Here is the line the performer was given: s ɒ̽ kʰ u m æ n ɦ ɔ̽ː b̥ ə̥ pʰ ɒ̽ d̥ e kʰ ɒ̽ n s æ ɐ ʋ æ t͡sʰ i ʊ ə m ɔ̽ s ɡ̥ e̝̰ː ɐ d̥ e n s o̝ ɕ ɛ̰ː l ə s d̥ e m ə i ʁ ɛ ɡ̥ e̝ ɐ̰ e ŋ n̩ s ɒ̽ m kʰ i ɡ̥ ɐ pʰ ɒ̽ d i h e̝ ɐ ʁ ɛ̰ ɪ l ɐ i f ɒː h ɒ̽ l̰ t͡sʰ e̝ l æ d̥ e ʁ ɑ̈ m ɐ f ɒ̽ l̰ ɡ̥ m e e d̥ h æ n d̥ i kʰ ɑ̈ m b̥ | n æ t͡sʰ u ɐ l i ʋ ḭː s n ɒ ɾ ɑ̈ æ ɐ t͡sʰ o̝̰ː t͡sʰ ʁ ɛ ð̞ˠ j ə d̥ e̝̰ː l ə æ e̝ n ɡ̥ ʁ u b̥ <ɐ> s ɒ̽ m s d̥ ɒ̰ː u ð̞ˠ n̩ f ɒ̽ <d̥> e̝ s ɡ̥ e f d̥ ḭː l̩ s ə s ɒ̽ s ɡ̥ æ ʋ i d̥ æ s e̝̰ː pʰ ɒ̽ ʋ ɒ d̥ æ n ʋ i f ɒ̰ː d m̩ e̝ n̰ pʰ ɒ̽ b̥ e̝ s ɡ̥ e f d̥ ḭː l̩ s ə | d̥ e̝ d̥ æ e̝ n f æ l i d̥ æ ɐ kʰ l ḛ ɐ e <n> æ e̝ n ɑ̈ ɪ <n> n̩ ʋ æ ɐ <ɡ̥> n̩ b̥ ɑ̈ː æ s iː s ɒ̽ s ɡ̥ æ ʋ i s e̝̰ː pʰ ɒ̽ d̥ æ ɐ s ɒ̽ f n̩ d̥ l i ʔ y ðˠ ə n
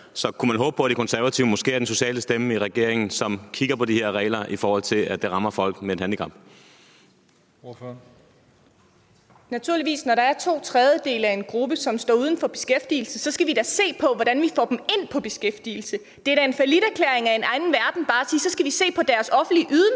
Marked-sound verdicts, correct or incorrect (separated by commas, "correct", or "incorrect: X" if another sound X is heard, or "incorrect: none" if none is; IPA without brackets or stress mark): incorrect: ə, incorrect: b̥, incorrect: ŋ, correct, incorrect: d̥